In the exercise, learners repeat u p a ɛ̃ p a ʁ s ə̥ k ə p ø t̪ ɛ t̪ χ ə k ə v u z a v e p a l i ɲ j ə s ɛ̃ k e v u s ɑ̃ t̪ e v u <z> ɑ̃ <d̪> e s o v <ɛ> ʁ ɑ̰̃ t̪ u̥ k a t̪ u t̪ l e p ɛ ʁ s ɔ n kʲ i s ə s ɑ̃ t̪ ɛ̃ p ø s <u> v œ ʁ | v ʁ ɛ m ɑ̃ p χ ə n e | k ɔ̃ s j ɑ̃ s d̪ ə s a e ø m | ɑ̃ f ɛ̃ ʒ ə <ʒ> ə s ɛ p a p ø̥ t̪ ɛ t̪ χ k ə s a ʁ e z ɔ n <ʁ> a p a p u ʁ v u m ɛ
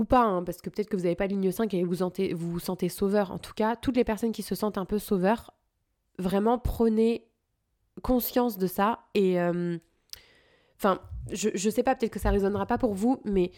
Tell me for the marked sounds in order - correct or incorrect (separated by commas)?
incorrect, incorrect, incorrect, incorrect, correct, correct